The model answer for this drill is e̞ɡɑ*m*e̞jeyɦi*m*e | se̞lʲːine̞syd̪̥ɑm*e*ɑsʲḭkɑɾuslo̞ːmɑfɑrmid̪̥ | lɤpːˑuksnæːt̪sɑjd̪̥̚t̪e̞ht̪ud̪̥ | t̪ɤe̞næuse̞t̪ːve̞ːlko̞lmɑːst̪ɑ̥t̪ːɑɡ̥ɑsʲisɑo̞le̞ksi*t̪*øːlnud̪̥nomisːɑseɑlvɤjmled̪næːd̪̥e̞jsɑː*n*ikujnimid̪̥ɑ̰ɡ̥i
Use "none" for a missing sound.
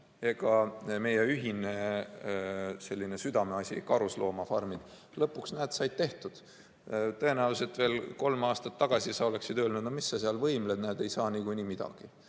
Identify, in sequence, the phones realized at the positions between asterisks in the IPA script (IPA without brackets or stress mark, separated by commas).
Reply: m, n, e, d̪, n